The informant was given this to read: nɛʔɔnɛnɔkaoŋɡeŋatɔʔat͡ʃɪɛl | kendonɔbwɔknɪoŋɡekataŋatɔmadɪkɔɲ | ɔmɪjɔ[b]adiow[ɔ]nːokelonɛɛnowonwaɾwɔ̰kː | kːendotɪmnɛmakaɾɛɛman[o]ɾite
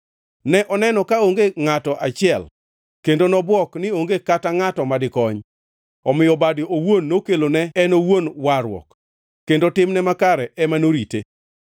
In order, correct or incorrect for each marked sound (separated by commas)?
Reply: correct, incorrect, correct